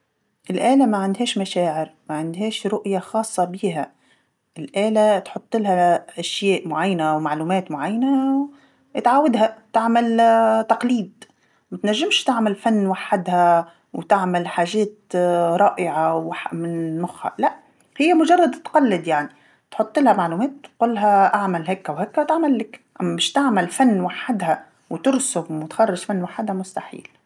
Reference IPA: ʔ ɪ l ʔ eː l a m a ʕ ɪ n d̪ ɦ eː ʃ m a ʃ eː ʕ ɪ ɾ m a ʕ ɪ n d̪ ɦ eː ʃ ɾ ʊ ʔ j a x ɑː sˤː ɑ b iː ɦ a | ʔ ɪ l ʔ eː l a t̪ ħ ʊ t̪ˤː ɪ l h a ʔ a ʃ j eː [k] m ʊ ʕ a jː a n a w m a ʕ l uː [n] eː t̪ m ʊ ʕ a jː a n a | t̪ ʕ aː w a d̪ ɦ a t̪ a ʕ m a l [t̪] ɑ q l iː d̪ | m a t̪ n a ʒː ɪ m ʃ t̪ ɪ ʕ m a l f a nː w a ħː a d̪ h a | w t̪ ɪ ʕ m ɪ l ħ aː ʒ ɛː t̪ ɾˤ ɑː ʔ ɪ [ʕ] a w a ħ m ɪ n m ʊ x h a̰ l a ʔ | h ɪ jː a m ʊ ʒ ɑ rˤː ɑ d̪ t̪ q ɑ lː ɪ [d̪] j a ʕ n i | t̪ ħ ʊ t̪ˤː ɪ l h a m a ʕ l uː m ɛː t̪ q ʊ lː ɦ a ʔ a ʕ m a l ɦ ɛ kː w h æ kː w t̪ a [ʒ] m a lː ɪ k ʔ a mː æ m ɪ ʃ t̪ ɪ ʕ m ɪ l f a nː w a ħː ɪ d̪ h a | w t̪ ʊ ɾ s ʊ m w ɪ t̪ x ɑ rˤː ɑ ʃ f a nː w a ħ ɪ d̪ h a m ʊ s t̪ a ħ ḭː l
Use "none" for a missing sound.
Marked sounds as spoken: ʔ, m, t̪, ʕ, d̪, ʕ

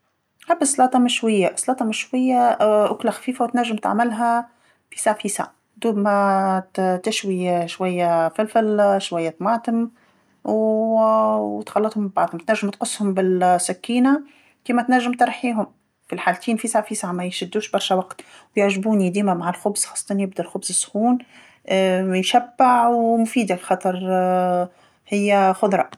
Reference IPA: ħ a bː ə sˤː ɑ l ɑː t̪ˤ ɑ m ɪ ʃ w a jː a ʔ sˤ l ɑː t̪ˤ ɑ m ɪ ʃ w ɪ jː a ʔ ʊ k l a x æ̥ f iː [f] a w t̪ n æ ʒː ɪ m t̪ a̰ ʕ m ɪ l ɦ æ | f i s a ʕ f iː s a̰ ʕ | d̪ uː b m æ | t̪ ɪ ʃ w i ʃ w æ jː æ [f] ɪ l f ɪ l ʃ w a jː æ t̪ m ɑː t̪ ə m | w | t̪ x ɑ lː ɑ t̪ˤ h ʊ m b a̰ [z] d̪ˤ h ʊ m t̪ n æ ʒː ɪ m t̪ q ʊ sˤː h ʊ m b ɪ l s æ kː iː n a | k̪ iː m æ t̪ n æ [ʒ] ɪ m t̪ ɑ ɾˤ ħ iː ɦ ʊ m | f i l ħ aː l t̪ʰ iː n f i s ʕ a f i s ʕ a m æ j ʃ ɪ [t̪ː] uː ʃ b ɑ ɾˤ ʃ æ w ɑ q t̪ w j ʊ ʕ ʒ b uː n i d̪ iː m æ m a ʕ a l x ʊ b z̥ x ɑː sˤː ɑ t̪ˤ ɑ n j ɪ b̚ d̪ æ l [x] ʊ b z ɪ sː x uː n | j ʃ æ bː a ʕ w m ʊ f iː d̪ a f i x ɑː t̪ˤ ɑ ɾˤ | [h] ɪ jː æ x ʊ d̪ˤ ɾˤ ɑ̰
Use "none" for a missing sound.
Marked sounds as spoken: f, f, ʕ, ʒː, d̪ː, x, h

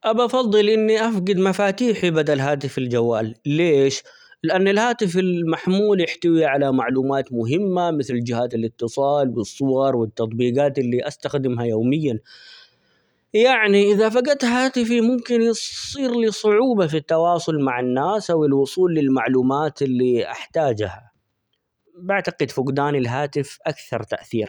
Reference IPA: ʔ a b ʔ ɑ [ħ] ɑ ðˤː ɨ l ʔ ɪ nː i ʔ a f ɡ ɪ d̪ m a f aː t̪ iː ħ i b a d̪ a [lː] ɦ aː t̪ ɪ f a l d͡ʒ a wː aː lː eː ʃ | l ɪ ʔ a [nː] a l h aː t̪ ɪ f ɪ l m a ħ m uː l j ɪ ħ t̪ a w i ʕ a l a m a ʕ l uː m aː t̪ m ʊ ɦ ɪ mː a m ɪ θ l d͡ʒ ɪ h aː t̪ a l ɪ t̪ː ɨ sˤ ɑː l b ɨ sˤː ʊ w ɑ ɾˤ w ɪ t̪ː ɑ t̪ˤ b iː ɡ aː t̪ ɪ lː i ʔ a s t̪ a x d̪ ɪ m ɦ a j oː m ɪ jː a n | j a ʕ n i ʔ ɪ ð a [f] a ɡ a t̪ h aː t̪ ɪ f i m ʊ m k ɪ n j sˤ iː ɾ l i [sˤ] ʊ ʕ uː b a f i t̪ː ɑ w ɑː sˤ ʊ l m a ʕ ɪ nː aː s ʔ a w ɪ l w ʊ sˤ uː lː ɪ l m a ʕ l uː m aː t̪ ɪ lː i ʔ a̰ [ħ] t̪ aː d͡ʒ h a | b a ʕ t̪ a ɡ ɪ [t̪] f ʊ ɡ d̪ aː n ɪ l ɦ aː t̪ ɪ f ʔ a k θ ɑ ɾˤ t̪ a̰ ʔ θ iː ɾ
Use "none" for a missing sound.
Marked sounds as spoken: f, l, nː, f, sˤ, ħ, d̪

